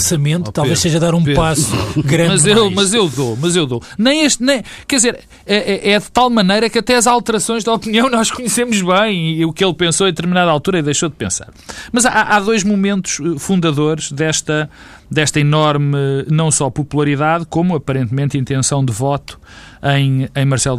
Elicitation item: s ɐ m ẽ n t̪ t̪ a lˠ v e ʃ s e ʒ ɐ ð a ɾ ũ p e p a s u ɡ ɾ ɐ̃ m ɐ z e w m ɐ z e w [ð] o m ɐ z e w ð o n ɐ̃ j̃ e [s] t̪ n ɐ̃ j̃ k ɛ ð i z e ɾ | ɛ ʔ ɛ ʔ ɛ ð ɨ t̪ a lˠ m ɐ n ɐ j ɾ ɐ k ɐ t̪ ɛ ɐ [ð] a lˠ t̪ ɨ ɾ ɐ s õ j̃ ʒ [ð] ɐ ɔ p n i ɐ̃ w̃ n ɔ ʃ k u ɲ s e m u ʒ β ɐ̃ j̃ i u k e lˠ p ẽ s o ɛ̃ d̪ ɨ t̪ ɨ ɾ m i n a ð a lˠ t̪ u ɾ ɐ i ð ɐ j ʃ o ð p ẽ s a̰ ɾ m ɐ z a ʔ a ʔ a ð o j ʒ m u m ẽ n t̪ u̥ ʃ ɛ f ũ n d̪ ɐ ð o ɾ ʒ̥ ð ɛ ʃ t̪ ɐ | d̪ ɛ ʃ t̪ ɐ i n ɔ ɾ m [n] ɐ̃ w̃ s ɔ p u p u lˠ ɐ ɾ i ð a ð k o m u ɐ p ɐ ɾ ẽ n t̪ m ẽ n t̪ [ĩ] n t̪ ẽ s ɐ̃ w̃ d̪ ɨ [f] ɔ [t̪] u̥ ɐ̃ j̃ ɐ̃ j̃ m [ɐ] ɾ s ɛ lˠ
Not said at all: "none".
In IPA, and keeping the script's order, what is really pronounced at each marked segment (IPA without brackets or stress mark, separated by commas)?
ð, ʃ, z, ð, n, ĩ, v, t̪, ɐ